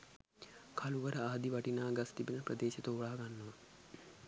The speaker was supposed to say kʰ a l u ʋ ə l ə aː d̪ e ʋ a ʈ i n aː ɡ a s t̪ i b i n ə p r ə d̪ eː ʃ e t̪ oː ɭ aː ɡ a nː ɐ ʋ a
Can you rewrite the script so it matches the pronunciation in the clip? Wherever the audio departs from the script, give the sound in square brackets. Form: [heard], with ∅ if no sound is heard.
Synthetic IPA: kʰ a l u ʋ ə [ɾ] ə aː d̪ [i] ʋ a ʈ i n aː ɡ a s t̪ i b i n ə p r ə d̪ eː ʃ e t̪ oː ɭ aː ɡ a nː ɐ ʋ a